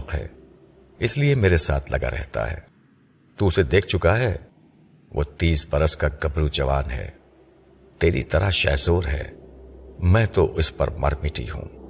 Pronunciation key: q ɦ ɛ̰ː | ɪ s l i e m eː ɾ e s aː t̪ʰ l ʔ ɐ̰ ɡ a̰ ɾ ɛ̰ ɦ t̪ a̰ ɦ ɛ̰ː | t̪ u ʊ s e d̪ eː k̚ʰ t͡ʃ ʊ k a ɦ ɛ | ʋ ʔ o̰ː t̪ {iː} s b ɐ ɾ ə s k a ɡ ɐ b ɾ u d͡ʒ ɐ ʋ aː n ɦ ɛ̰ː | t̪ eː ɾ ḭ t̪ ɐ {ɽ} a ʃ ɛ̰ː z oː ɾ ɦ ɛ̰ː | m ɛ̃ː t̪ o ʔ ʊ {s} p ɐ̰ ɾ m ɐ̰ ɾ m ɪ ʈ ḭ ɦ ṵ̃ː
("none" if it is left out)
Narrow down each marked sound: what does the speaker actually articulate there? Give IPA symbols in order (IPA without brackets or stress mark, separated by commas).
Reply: iː, ɾ, s